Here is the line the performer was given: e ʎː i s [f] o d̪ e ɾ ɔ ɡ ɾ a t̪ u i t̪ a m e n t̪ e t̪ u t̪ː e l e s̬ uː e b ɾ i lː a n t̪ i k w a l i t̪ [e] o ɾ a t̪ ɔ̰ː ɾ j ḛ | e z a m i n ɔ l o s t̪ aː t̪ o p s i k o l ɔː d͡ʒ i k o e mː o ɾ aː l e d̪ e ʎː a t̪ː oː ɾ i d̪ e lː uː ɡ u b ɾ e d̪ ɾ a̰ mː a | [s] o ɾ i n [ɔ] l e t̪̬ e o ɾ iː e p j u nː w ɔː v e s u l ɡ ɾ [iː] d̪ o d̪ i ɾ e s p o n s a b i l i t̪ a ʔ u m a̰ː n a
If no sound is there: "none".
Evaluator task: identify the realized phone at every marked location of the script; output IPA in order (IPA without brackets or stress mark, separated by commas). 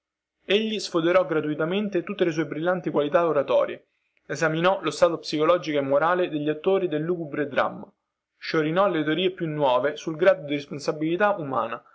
f, a, ʃ, ɔ, aː